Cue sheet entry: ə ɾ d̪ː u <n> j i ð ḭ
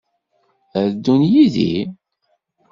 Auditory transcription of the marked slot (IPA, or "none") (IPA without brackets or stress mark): n